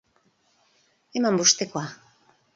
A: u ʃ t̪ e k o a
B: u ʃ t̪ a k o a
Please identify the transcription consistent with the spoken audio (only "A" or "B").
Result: A